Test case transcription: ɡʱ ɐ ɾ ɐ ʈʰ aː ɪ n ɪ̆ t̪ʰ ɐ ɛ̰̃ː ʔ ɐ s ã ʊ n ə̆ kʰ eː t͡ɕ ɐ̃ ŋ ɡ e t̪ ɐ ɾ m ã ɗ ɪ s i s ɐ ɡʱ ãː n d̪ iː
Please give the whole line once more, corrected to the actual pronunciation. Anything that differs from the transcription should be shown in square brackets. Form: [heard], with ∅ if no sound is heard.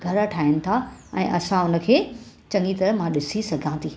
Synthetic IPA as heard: ɡʱ ɐ ɾ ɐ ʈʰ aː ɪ n ɪ̆ t̪ʰ [a] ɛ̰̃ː ʔ ɐ s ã ʊ n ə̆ kʰ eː t͡ɕ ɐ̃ ŋ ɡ [i] t̪ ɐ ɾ m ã ɗ ɪ s i s ɐ ɡʱ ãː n d̪ iː